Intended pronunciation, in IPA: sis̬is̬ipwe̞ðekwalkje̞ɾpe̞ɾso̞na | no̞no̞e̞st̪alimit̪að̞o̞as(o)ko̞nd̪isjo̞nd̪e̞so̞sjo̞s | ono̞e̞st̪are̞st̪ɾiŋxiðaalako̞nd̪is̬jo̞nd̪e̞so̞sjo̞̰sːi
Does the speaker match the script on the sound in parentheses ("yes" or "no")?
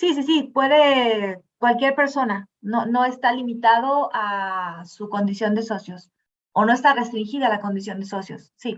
no